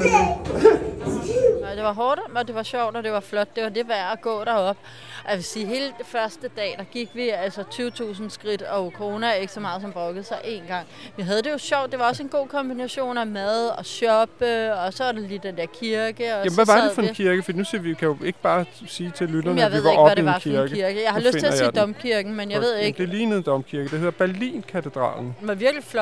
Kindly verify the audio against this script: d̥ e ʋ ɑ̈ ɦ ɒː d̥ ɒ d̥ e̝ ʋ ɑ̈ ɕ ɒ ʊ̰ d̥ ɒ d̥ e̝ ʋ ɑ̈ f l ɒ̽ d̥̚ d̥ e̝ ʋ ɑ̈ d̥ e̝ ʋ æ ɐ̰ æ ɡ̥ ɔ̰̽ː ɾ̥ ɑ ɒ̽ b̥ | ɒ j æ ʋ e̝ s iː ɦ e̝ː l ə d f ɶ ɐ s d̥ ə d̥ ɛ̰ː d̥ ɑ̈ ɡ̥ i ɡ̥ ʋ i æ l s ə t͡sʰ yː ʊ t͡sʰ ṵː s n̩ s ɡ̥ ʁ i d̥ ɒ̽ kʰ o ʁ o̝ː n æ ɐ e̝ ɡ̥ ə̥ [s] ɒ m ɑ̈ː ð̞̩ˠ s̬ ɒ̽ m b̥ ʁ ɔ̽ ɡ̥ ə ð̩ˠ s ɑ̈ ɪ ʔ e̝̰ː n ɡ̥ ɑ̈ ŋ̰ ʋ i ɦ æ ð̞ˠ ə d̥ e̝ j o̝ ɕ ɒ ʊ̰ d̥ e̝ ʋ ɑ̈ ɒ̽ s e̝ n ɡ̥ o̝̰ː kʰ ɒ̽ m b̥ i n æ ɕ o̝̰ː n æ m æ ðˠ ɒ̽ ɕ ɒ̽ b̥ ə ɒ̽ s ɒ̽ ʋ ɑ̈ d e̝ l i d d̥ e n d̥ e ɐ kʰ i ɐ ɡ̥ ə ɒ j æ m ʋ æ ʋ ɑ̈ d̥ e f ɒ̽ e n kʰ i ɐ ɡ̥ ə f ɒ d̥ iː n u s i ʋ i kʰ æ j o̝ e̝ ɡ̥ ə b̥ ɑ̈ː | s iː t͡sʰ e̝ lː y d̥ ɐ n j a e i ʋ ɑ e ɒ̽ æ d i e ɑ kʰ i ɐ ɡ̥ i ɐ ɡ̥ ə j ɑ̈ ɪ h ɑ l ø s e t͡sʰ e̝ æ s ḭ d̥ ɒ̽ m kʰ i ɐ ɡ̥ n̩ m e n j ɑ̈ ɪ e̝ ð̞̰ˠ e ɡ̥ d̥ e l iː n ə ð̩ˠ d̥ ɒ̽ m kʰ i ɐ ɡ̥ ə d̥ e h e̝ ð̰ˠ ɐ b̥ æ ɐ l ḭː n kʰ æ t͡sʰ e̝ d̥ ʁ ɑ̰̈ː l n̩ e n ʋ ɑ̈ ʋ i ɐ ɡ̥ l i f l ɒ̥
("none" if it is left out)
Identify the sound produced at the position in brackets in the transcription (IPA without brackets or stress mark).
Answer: s